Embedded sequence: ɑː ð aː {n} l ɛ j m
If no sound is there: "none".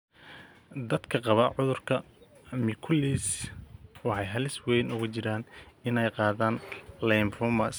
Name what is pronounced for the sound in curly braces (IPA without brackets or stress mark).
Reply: n